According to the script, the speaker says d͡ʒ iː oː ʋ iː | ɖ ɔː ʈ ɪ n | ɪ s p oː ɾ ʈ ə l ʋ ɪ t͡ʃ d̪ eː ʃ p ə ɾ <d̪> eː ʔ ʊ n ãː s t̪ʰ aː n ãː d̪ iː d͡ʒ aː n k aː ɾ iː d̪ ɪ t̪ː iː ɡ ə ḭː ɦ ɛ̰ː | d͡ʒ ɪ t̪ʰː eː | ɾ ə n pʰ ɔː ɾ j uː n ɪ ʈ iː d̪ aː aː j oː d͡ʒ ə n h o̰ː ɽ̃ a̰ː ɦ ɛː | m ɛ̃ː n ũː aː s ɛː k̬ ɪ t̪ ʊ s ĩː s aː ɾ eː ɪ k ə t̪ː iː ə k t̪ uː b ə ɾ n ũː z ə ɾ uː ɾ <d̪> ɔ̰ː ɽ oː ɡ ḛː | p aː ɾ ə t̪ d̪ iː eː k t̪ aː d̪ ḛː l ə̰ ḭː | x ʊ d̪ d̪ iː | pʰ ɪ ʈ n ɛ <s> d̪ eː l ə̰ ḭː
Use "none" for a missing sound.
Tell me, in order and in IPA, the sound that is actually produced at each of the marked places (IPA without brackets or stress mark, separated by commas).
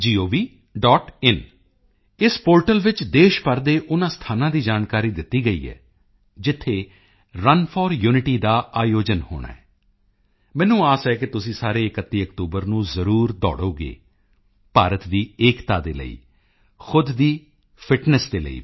d̪, d̪, s